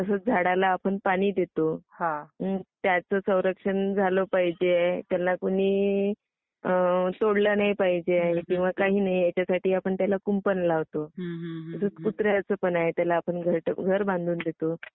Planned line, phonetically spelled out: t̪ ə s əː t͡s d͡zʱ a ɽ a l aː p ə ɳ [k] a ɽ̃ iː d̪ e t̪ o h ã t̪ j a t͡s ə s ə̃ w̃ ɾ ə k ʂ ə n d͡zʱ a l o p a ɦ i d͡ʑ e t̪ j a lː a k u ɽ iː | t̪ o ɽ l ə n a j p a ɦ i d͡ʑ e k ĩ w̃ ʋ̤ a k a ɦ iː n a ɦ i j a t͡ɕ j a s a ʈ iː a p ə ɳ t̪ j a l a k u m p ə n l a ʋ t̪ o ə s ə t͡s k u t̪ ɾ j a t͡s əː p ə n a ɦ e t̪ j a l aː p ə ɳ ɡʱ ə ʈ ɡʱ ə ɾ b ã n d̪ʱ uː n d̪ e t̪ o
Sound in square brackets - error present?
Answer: yes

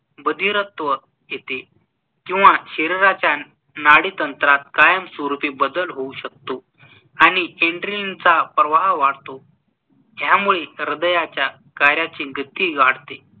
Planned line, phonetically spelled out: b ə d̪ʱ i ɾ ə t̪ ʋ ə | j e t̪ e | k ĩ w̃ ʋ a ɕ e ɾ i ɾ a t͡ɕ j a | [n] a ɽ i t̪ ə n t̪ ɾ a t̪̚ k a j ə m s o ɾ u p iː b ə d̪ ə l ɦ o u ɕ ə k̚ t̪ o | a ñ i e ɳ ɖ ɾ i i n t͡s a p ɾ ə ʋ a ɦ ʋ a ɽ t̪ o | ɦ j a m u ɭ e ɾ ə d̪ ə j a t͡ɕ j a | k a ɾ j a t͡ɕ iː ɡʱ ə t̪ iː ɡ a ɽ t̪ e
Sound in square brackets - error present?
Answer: no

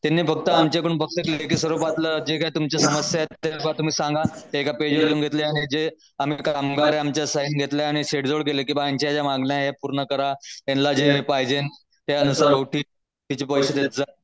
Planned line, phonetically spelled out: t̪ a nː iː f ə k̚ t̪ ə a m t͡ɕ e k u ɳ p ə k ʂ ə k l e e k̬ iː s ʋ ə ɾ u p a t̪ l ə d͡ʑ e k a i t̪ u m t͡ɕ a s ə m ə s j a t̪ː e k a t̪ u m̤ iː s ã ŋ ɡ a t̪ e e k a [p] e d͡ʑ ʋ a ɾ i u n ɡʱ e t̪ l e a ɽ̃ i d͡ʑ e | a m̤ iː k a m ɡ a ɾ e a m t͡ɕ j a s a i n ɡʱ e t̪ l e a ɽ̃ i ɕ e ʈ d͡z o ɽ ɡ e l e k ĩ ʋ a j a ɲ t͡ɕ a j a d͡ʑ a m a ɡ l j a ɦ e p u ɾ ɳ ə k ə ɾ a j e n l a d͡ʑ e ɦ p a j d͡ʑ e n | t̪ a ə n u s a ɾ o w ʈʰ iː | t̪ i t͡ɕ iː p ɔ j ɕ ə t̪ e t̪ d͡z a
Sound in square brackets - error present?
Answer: no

